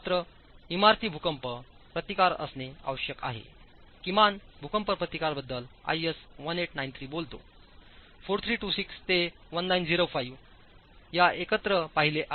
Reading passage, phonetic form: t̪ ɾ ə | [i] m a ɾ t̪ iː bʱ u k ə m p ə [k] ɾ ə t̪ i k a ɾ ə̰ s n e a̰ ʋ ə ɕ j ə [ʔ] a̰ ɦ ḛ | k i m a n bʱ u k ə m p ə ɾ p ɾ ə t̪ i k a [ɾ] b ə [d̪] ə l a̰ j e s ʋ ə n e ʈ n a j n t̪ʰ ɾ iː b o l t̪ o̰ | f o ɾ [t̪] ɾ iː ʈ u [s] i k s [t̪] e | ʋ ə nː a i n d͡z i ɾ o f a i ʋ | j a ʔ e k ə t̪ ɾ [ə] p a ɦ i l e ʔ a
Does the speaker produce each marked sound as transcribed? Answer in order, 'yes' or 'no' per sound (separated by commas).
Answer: yes, no, no, yes, no, no, yes, yes, yes